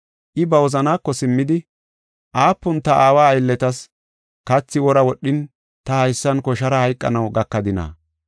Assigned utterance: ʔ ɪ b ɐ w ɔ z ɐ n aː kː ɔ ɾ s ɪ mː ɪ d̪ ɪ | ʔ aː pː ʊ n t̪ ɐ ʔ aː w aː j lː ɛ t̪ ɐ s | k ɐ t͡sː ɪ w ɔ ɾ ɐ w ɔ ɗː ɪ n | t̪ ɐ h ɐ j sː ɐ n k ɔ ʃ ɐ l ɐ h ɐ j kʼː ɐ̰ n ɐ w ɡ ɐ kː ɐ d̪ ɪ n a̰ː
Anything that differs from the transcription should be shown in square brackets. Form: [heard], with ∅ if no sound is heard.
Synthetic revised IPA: ʔ ɪ b ɐ w ɔ z ɐ n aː kː ɔ [∅] s ɪ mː ɪ d̪ ɪ | ʔ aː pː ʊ n t̪ ɐ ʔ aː w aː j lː ɛ t̪ ɐ s | k ɐ t͡sː ɪ w ɔ ɾ ɐ w ɔ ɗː ɪ n | t̪ ɐ h ɐ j sː ɐ n k ɔ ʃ ɐ [ɾ] ɐ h ɐ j kʼː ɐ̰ n ɐ w ɡ ɐ kː ɐ d̪ ɪ n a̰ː